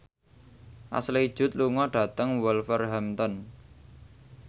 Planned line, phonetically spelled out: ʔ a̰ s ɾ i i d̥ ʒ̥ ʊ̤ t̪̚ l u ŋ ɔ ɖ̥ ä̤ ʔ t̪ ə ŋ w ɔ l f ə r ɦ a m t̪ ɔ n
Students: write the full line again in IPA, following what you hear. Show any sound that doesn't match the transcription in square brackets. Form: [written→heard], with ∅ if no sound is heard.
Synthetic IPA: ʔ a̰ s [ɾ→l] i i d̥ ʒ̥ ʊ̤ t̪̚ l u ŋ ɔ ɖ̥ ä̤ [ʔ→∅] t̪ ə ŋ w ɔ l f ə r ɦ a m t̪ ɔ n